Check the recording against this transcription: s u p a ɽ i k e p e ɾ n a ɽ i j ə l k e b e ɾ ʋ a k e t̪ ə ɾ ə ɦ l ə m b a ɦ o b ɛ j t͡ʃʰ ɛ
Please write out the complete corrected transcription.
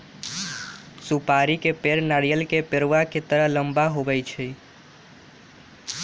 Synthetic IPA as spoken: s u p a ɾ i k e p e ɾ n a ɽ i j ə l k e p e ɾ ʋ a k e t̪ ə ɾ ə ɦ l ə m b a ɦ o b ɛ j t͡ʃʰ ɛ